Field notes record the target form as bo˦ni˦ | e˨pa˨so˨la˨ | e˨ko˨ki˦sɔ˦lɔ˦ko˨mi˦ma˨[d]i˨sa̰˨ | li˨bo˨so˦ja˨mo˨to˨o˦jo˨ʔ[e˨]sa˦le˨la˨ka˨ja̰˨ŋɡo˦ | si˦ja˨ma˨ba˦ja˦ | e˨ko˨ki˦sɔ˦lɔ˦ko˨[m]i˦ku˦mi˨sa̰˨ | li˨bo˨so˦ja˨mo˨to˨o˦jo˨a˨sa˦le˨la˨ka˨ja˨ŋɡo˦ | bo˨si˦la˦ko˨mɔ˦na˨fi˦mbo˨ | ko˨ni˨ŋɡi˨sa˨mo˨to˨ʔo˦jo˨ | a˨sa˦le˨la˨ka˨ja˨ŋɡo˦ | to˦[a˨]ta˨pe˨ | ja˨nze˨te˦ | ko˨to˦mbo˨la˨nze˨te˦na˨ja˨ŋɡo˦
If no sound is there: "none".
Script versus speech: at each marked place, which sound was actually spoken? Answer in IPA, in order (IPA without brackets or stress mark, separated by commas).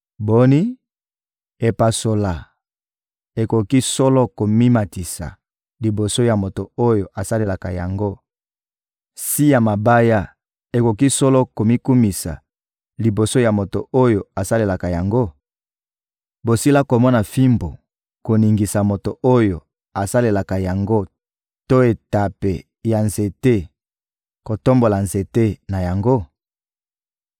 t, a˨, m, e˨